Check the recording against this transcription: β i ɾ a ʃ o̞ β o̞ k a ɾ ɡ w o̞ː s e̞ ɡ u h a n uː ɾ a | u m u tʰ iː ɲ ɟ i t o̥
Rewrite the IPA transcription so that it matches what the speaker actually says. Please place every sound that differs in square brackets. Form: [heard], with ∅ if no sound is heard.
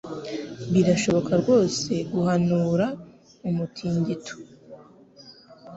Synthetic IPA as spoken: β i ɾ a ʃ o̞ β o̞ k a ɾ ɡ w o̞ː s e̞ ɡ u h a n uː ɾ a | u m u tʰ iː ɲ ɟ i t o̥

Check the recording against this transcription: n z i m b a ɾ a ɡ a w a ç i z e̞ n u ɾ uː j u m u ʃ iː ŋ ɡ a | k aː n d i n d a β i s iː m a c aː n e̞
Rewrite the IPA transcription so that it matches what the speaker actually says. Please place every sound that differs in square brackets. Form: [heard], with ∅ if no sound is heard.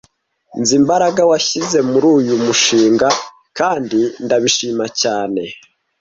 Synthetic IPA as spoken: n z i m b a ɾ a ɡ a w a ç i z e̞ [m] u ɾ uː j u m u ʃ iː ŋ ɡ a | k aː n d i n d a β i [ʃ] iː m a c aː n e̞

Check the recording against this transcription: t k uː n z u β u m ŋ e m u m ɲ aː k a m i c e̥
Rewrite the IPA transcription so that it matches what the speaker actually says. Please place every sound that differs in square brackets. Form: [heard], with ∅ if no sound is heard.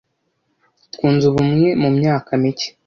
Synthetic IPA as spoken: t k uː n z u β u m ŋ e m u m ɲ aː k a m i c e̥

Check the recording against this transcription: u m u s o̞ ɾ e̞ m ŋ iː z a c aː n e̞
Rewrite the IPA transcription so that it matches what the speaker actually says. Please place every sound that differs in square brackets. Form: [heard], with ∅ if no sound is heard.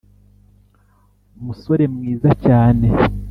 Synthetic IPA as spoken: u m u s o̞ ɾ e̞ m ŋ iː z a c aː n e̞

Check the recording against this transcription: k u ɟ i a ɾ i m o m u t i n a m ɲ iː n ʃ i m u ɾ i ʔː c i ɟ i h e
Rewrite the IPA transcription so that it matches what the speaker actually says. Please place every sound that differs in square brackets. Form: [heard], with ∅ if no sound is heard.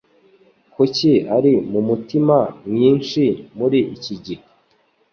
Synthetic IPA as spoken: k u [c] i a ɾ i m [u] m u t i [m] a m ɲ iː n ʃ i m u ɾ i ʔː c i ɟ i h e

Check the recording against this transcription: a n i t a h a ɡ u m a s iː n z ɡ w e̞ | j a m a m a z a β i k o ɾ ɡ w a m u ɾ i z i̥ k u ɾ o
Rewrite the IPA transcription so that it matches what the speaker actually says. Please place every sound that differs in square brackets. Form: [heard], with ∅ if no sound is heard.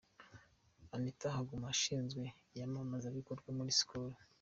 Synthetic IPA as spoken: a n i t a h a ɡ u m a [ʃ] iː n z ɡ w e̞ | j a m a m a z a β i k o ɾ ɡ w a m u ɾ i [s] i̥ k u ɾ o

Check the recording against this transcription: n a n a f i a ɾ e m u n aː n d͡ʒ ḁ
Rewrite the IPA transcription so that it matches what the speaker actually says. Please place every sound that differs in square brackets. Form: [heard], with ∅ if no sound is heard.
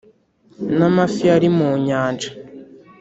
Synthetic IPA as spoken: n a [m] a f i a ɾ [i] m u [ɲ] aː n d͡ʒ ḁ

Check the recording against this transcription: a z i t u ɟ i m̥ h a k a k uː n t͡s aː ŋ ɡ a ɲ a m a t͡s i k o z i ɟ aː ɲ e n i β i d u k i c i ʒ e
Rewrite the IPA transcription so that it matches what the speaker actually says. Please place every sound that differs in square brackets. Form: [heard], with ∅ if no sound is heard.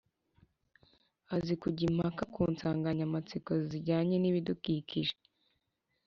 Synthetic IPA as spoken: a z i [k] u ɟ i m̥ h a k a k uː n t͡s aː ŋ ɡ a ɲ a m a t͡s i k o z i ɟ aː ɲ e n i β i d u k i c i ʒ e

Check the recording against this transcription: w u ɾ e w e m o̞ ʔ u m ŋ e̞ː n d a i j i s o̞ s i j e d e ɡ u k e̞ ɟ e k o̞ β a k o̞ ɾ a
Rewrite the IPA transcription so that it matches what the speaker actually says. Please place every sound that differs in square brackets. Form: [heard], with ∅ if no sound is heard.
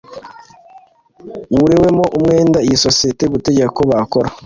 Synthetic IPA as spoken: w u ɾ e w e m o̞ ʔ u m ŋ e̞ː n d a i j i s o̞ s i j e [t] e ɡ u [t] e̞ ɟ e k o̞ β a k o̞ ɾ a

